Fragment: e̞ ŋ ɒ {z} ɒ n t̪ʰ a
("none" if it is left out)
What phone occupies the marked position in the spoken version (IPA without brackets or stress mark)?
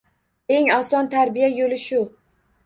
s